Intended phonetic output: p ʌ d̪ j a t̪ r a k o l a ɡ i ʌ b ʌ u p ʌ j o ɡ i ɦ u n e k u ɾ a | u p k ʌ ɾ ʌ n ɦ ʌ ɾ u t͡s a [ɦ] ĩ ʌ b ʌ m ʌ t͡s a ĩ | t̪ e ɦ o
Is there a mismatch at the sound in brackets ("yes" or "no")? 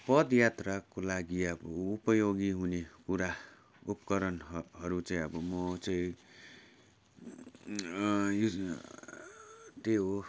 yes